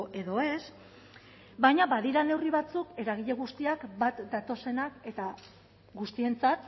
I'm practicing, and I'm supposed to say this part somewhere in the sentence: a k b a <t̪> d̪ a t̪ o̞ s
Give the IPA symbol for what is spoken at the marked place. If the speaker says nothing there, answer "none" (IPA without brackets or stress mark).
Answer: t̪